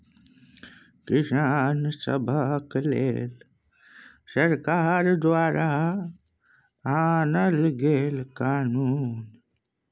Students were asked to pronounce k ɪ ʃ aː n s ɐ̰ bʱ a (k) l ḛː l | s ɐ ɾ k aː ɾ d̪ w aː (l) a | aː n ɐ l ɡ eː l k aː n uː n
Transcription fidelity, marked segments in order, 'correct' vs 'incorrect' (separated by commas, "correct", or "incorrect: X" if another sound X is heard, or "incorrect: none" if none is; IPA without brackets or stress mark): correct, incorrect: ɾ